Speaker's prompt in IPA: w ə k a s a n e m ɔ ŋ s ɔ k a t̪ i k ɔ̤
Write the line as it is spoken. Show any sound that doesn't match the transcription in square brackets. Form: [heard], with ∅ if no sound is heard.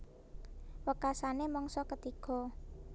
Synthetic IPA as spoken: w ə k a s a n e m ɔ ŋ s ɔ k [ə] t̪ i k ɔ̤